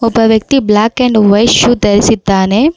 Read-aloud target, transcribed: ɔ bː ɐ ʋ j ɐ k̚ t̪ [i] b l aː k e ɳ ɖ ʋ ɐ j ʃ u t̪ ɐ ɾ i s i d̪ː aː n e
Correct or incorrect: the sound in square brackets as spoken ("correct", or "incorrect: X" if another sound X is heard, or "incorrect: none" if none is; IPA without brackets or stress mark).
correct